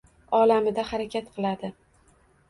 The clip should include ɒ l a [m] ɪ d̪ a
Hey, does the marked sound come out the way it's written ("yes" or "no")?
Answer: yes